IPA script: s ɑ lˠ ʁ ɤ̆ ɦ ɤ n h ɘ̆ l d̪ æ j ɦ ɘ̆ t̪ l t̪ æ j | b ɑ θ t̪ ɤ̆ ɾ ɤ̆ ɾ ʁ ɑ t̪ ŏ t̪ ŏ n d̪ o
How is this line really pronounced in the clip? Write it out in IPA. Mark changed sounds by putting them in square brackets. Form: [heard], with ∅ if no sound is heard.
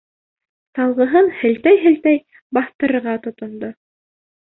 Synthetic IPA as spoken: s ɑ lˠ ʁ ɤ̆ ɦ ɤ n h ɘ̆ l [t̪] æ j ɦ ɘ̆ [∅] l t̪ æ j | b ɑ θ t̪ ɤ̆ ɾ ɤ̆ ɾ ʁ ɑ t̪ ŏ t̪ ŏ n d̪ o